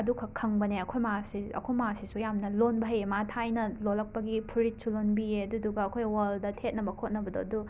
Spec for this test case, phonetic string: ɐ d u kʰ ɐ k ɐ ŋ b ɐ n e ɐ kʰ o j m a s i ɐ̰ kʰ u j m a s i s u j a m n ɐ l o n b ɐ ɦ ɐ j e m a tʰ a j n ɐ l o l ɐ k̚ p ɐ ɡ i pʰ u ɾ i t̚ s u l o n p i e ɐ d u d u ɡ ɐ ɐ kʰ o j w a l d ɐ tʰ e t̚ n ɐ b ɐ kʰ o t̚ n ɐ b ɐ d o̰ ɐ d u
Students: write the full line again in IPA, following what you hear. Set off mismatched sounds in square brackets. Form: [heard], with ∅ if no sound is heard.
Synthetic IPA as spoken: ɐ d u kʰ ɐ [kʰ] ɐ ŋ b ɐ n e ɐ kʰ o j m a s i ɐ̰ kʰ [o] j m a s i s u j a m n ɐ l o n b ɐ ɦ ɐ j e m a tʰ a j n ɐ l o l ɐ k̚ p ɐ ɡ i pʰ u ɾ i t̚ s u l o n [b] i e ɐ d u d u ɡ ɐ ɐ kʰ o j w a l d ɐ tʰ e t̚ n ɐ b ɐ kʰ o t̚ n ɐ b ɐ d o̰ ɐ d u

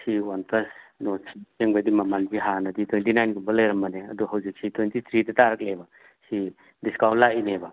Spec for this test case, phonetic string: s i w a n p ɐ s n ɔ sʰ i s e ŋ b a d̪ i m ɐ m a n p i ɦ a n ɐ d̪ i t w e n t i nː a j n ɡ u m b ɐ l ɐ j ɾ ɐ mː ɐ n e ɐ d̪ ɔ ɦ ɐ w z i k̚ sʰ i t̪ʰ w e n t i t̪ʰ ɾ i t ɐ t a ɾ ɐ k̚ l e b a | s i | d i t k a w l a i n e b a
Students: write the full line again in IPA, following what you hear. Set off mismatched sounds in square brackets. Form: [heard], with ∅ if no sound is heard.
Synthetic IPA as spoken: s i w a n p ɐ s n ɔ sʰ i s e ŋ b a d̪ i m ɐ m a n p i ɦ a n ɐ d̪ i t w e n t i [n] a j n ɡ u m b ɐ l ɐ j ɾ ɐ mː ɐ n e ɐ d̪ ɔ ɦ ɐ w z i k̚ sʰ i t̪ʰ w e n t i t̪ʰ ɾ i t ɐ t a ɾ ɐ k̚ l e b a | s i | d i [s] k a w l a i n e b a

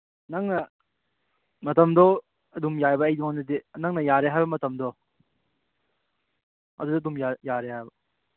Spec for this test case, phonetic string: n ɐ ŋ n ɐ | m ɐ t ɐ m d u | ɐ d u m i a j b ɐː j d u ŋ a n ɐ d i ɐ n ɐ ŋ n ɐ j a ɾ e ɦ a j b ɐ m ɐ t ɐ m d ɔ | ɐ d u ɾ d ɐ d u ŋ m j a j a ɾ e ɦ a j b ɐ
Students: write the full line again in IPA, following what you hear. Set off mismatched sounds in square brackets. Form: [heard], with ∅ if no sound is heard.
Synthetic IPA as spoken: n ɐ ŋ n ɐ | m ɐ t ɐ m d [ɔ] | ɐ d u m [j] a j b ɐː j d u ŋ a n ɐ d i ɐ n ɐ ŋ n ɐ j a ɾ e ɦ a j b ɐ m ɐ t ɐ m d ɔ | ɐ d u [∅] d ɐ d u [∅] m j a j a ɾ e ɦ a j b ɐ

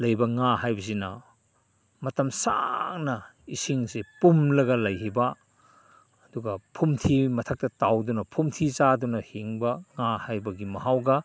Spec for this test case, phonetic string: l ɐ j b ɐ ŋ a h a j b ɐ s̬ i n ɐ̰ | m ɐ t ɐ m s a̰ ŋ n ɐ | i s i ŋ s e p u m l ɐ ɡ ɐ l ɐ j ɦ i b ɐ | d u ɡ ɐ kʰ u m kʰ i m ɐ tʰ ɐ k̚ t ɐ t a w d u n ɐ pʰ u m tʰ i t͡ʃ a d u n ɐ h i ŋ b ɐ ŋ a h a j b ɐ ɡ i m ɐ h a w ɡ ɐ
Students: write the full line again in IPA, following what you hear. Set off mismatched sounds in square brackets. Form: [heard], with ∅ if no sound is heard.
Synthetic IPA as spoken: l ɐ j b ɐ ŋ a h a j b ɐ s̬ i n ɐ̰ | m ɐ t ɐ m s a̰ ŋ n ɐ | i s i ŋ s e p u m l ɐ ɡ ɐ l ɐ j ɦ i b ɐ | d u ɡ ɐ [pʰ] u m [tʰ] i m ɐ tʰ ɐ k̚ t ɐ t a w d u n ɐ pʰ u m tʰ i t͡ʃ a d u n ɐ h i ŋ b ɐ ŋ a h a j b ɐ ɡ i m ɐ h a w ɡ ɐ

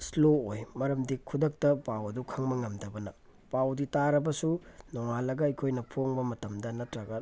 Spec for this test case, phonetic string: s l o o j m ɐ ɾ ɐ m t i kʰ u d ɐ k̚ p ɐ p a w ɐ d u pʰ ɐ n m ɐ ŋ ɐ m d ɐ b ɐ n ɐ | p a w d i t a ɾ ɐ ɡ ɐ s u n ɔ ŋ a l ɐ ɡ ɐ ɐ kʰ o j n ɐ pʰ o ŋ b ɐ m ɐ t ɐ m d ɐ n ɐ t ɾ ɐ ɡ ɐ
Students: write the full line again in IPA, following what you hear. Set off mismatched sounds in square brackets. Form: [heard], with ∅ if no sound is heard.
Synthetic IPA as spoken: s l o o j m ɐ ɾ ɐ m [d] i kʰ u d ɐ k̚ [t] ɐ p a w ɐ d u [kʰ] ɐ [ŋ] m ɐ ŋ ɐ m d ɐ b ɐ n ɐ | p a w d i t a ɾ ɐ [b] ɐ s u n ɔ ŋ a l ɐ ɡ ɐ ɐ kʰ o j n ɐ pʰ o ŋ b ɐ m ɐ t ɐ m d ɐ n ɐ t ɾ ɐ ɡ ɐ

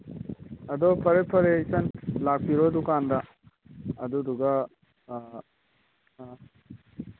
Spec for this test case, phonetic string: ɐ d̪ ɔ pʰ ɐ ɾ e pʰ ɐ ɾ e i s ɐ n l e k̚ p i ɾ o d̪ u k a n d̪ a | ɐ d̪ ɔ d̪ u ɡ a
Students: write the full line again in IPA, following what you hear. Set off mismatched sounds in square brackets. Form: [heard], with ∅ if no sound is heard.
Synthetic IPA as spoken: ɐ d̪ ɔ pʰ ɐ ɾ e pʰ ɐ ɾ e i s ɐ n l [a] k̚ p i ɾ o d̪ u k a n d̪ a | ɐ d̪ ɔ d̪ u ɡ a

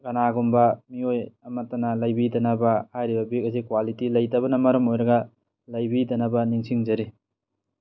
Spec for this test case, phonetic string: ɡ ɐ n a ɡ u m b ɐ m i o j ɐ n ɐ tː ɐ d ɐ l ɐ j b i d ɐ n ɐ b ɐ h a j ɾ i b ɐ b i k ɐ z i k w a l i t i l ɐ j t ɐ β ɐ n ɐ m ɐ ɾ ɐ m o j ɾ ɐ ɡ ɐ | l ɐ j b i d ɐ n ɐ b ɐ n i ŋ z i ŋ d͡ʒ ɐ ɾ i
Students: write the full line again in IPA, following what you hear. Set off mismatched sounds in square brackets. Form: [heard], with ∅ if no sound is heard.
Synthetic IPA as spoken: ɡ ɐ n a ɡ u m b ɐ m i o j ɐ [m] ɐ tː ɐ [n] ɐ l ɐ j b i d ɐ n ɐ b ɐ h a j ɾ i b ɐ b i k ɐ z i k w a l i t i l ɐ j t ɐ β ɐ n ɐ m ɐ ɾ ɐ m o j ɾ ɐ ɡ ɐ | l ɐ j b i d ɐ n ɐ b ɐ n i ŋ [s] i ŋ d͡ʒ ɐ ɾ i

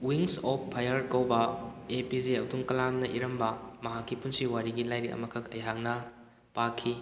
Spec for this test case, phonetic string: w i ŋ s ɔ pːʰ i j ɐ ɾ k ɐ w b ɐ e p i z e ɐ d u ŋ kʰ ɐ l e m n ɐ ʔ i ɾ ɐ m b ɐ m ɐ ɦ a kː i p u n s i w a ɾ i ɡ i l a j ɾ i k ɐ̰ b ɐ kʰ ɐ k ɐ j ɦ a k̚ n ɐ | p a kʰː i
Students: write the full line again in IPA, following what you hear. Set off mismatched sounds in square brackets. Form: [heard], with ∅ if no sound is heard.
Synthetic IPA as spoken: w i ŋ s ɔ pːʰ [a] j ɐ ɾ k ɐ w b ɐ e p i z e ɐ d u ŋ [k] ɐ l [a] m n ɐ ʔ i ɾ ɐ m b ɐ m ɐ ɦ a kː i p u n s i w a ɾ i ɡ i l a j ɾ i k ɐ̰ [m] ɐ kʰ ɐ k ɐ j ɦ a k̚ n ɐ | p a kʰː i

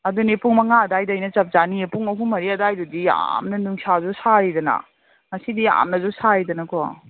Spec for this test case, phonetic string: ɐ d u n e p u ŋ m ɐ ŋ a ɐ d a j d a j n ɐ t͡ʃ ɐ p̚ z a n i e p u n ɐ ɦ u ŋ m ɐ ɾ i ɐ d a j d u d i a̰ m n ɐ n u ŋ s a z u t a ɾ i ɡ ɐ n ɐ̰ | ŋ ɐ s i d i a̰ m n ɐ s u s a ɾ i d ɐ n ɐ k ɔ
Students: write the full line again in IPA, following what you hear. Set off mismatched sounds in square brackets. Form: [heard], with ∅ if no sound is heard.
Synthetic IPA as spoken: ɐ d u n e p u ŋ m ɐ ŋ a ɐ d a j d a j n ɐ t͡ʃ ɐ p̚ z a n i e p u [ŋ] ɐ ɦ u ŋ m ɐ ɾ i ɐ d a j d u d i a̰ m n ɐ n u ŋ s a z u [s] a ɾ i [d] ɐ n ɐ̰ | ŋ ɐ s i d i a̰ m n ɐ [z] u s a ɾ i d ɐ n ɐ k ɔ

